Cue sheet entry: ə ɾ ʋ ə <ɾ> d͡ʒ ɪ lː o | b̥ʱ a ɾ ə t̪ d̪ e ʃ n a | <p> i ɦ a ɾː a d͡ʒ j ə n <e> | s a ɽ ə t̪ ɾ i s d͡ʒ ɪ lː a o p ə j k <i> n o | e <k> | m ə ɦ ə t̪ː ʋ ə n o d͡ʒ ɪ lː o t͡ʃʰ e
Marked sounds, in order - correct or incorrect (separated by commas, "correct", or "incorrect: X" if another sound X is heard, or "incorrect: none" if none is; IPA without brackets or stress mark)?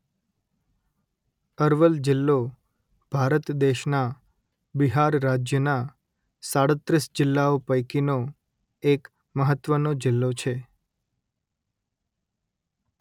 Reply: incorrect: l, incorrect: b, incorrect: a, correct, correct